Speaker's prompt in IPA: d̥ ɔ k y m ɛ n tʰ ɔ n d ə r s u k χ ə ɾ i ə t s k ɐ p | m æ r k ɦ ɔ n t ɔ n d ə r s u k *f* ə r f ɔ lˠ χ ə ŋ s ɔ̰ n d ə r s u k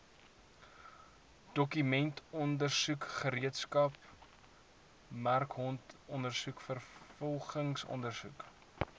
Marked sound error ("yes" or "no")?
no